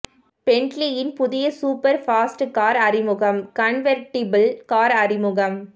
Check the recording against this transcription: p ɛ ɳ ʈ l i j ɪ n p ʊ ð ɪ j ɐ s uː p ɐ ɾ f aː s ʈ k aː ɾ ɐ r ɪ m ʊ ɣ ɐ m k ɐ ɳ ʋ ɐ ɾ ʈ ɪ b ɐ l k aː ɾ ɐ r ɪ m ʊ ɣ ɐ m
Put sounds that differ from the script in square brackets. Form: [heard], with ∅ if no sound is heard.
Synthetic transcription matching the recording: p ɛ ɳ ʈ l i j ɪ n p ʊ ð ɪ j ɐ s uː p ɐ ɾ f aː s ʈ k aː ɾ ɐ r ɪ m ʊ ɣ ɐ m k ɐ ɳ ʋ ɐ ɾ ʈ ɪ b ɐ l k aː ɾ ɐ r ɪ m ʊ ɣ ɐ m